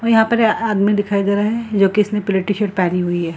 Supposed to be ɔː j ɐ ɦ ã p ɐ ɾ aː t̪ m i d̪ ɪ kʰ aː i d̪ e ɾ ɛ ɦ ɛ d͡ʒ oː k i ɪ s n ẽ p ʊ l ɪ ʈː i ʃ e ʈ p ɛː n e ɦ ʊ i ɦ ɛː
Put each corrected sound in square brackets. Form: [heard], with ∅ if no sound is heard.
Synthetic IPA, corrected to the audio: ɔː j ɐ ɦ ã p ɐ ɾ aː [d̪] m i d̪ ɪ kʰ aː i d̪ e ɾ [a] ɦ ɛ d͡ʒ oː k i ɪ s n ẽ p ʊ l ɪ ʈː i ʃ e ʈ p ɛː n [i] ɦ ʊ i ɦ ɛː